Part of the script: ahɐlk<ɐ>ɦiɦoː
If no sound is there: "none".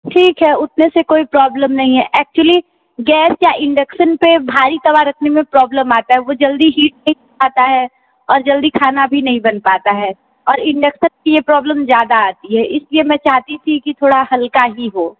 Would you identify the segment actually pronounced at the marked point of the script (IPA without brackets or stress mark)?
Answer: a